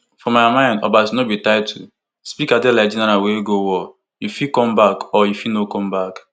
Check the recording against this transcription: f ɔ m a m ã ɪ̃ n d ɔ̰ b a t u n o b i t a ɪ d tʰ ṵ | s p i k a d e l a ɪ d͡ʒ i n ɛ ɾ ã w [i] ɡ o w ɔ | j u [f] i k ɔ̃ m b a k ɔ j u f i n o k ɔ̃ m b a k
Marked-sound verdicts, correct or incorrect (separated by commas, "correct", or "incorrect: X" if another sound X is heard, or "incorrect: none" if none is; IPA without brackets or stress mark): incorrect: e, correct